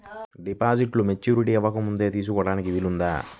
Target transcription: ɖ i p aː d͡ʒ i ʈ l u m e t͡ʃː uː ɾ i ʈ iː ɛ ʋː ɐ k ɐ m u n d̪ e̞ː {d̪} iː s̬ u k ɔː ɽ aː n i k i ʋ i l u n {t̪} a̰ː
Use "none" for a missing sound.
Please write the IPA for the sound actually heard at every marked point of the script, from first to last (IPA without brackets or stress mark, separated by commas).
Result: t̪, d̪